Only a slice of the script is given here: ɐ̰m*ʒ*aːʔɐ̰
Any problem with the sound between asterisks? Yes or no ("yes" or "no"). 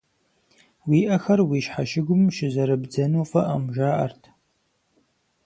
no